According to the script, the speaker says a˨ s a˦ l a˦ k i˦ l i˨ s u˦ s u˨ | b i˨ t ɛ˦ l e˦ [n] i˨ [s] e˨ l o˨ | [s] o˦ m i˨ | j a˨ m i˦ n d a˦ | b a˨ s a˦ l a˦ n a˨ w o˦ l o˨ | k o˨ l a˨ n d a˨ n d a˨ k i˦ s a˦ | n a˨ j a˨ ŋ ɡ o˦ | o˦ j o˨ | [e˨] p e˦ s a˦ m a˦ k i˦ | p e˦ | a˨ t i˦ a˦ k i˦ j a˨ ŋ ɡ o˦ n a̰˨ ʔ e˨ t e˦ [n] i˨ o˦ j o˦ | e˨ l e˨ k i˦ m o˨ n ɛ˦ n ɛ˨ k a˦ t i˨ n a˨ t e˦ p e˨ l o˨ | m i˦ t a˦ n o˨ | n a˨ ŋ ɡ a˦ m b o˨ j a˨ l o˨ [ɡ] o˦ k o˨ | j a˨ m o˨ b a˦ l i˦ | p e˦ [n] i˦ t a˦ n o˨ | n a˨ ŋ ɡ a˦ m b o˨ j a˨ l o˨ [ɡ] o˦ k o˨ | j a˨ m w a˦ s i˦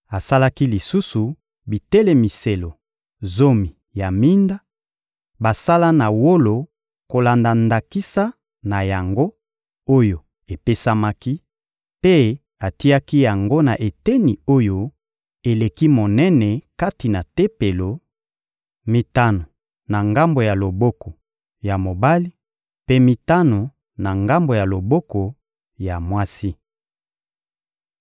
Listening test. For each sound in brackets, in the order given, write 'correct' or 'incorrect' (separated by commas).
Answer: incorrect, correct, incorrect, correct, correct, incorrect, incorrect, incorrect